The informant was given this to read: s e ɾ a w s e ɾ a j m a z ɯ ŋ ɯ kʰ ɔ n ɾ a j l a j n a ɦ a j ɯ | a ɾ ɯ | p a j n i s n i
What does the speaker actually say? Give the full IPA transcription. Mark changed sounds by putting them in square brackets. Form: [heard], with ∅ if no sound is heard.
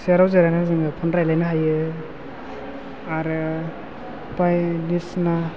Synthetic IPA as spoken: s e ɾ a w [z] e ɾ a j [n] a z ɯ ŋ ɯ [pʰ] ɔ n ɾ a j l a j n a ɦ a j ɯ | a ɾ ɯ | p a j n i s n [a]